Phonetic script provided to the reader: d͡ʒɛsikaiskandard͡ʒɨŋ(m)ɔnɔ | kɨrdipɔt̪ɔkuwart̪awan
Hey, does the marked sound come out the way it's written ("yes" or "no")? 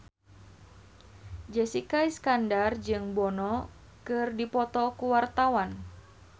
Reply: no